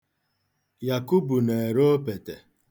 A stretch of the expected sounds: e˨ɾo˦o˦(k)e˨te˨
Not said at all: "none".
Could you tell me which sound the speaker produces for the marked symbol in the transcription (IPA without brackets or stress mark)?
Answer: p